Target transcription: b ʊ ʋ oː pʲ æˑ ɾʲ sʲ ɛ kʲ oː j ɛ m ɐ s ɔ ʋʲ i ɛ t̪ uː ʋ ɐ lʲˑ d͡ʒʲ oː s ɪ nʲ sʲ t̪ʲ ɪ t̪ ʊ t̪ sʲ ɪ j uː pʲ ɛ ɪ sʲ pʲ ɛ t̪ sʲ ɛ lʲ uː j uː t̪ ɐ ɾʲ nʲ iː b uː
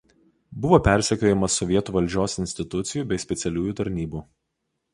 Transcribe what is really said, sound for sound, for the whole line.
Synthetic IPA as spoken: b ʊ ʋ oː pʲ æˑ ɾʲ sʲ ɛ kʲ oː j ɛ m ɐ s ɔ ʋʲ i ɛ t̪ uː ʋ ɐ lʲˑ d͡ʒʲ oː s ɪ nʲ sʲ t̪ʲ ɪ t̪ ʊ t̪ sʲ ɪ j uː bʲ ɛ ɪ sʲ pʲ ɛ t̪ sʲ ɛ lʲ uː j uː t̪ ɐ ɾʲ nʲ iː b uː